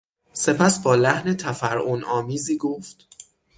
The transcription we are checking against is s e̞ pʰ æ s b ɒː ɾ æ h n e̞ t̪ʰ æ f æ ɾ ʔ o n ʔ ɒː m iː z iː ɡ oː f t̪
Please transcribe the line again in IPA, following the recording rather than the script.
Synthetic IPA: s e̞ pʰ æ s b ɒː l æ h n e̞ t̪ʰ æ f æ ɾ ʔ o n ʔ ɒː m iː z iː ɡ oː f t̪